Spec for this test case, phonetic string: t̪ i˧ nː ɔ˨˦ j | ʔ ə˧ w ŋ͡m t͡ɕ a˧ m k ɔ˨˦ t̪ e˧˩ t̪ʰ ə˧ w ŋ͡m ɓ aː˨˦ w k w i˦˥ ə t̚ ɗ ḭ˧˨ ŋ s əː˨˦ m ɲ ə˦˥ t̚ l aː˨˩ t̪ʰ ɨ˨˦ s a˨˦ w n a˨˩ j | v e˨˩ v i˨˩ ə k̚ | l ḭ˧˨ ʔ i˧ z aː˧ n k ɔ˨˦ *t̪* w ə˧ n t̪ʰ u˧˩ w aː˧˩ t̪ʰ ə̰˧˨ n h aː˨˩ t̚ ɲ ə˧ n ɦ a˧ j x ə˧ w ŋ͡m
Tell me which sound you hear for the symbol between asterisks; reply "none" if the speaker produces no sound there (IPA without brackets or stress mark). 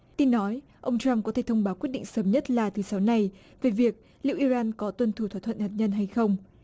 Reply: t̪